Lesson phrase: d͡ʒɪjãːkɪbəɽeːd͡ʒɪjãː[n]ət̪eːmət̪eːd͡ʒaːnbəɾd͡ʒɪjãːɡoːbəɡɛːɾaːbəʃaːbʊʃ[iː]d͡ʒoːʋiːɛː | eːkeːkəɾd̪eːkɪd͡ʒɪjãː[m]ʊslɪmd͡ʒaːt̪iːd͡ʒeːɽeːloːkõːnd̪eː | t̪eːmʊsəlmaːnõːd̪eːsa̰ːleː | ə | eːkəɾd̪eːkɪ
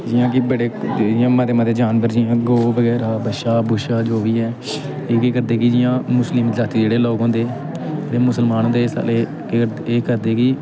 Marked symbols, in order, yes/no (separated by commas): no, no, yes